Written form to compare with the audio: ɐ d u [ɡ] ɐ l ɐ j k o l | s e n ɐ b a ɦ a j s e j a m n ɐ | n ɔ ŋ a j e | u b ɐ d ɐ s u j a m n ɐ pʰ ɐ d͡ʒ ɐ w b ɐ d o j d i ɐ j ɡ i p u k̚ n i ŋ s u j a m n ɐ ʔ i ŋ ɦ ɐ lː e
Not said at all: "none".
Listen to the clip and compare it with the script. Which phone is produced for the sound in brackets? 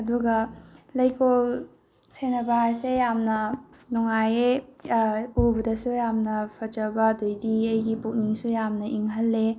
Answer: ɡ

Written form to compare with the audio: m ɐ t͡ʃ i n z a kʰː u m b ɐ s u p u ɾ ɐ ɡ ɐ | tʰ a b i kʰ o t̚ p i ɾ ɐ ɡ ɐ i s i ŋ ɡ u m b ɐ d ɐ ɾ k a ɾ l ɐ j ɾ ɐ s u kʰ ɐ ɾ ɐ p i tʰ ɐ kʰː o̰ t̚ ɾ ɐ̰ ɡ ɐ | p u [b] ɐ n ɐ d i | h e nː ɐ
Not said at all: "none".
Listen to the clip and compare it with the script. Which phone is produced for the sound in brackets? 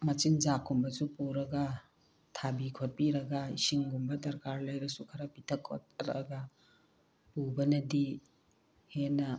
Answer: b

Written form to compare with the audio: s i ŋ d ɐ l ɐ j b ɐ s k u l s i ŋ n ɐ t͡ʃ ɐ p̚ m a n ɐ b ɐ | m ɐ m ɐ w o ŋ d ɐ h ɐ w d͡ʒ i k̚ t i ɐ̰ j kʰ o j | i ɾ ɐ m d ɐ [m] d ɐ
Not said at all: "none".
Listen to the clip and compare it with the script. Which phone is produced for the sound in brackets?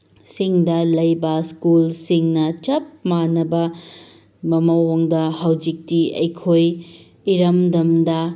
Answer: m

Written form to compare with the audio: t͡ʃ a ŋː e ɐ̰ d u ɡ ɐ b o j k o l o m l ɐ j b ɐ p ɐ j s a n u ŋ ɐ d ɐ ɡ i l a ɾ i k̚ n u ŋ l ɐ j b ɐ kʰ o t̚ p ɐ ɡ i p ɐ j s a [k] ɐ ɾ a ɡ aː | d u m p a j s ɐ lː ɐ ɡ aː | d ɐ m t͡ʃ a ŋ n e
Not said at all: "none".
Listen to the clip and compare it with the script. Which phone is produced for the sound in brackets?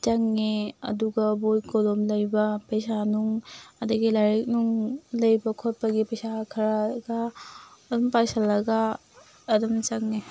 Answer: kʰ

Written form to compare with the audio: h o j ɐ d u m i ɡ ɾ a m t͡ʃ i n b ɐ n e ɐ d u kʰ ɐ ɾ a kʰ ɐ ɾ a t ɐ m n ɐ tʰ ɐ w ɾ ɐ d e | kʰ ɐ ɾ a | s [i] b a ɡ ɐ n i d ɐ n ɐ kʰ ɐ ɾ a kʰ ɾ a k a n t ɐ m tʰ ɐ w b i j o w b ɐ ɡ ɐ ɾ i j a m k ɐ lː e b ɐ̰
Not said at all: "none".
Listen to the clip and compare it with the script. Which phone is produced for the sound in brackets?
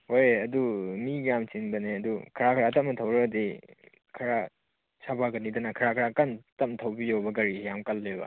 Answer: a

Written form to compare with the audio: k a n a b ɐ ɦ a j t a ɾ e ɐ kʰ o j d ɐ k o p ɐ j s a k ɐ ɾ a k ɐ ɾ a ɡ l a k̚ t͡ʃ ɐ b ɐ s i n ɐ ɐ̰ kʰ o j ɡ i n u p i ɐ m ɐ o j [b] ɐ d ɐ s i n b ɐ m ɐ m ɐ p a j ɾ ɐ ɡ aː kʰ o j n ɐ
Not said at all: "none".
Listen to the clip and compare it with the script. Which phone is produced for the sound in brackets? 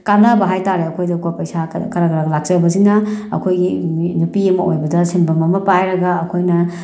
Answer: b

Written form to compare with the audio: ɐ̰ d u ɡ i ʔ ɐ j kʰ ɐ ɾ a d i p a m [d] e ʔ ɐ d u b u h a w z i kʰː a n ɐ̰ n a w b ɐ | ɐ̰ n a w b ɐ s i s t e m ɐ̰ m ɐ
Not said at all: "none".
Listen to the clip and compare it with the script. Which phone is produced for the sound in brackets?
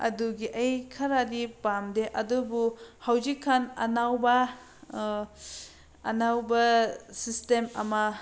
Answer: d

